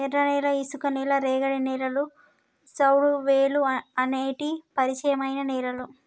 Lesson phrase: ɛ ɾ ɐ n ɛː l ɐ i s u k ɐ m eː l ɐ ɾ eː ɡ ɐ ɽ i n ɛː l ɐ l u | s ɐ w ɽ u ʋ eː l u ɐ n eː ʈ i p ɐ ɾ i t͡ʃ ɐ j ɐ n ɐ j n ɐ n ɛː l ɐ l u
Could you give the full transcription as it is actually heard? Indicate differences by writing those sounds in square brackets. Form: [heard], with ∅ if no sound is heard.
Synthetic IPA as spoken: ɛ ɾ ɐ n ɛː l ɐ i s u k ɐ [n] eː l ɐ ɾ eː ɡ ɐ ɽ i n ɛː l ɐ l u | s ɐ w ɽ u ʋ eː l u ɐ n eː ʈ i p ɐ ɾ i t͡ʃ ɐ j ɐ [m] ɐ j n ɐ n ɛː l ɐ l u